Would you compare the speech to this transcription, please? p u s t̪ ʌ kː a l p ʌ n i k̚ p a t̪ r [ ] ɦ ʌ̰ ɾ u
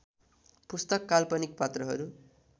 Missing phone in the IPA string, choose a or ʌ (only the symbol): ʌ